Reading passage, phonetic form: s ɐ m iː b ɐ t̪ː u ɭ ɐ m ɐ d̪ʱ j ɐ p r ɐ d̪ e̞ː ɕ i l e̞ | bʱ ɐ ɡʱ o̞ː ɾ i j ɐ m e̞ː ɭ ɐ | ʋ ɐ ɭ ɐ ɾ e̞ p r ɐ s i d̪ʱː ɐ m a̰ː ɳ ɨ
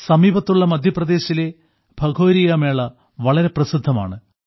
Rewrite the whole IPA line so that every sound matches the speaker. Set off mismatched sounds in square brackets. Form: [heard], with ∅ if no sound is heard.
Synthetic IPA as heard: s ɐ m iː b ɐ t̪ː u [ɭː] ɐ m ɐ d̪ʱ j ɐ p r ɐ d̪ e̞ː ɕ i l e̞ | bʱ ɐ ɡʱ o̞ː ɾ i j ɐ m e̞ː ɭ ɐ | ʋ ɐ ɭ ɐ ɾ e̞ p r ɐ s i d̪ʱː ɐ m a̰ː ɳ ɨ